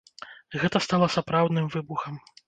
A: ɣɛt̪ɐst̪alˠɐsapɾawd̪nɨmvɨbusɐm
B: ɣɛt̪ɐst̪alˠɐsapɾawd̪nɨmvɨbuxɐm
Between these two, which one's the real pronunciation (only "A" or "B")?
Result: B